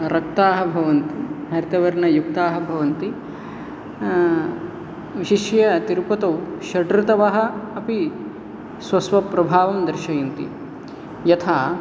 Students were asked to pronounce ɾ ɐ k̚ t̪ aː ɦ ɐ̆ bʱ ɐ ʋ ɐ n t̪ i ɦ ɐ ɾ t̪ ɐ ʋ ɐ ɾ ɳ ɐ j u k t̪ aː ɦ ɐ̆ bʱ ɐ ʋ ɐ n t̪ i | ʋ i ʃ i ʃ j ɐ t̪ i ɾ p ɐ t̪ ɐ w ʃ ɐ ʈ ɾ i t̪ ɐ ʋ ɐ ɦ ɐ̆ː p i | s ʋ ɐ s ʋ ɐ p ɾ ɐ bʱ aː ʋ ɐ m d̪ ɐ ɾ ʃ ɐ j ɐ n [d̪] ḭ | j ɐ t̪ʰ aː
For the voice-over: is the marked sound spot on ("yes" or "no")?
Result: no